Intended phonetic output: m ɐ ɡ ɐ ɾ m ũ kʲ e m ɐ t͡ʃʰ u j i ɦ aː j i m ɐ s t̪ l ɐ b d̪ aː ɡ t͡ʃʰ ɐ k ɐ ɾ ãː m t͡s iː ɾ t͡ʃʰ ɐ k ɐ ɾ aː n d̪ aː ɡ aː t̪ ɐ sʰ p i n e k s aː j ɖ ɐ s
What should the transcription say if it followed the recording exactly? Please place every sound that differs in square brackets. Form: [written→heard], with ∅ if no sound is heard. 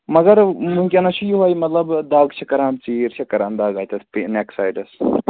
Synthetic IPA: m ɐ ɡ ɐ ɾ m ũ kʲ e [m→n] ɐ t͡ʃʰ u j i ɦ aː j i m ɐ [s→∅] t̪ l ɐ b d̪ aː ɡ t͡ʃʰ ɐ k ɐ ɾ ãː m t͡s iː ɾ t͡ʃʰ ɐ k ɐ ɾ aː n d̪ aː ɡ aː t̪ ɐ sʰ p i n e k s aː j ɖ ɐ s